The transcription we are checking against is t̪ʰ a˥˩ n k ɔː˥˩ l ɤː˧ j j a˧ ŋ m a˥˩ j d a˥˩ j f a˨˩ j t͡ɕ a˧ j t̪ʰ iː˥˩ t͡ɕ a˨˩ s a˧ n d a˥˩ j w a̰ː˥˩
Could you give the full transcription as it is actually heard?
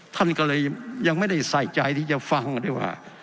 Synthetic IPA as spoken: t̪ʰ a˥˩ n k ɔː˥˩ l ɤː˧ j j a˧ ŋ m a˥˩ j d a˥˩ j s a˨˩ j t͡ɕ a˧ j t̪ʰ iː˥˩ t͡ɕ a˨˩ f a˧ ŋ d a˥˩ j w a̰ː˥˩